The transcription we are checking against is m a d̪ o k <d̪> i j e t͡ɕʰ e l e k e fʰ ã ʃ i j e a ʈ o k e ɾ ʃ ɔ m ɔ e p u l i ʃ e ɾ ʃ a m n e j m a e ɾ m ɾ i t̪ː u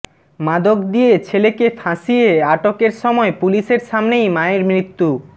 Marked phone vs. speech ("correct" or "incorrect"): correct